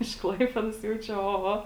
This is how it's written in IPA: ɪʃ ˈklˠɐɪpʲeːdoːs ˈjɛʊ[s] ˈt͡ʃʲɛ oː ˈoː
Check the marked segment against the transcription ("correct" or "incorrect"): incorrect